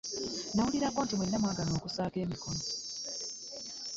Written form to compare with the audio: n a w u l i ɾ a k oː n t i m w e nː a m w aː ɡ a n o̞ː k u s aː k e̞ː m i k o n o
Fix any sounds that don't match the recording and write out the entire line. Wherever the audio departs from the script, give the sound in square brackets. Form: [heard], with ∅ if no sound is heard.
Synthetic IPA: n a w u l i ɾ a k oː n t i m w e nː a m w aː ɡ a n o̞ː k u s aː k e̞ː m i k o n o